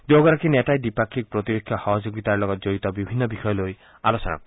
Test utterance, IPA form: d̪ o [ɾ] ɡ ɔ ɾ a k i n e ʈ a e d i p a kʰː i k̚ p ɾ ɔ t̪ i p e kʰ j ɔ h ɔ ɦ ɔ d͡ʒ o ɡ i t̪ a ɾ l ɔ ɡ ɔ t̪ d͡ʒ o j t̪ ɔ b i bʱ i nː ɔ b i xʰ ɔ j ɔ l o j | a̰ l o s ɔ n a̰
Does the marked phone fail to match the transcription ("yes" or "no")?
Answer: yes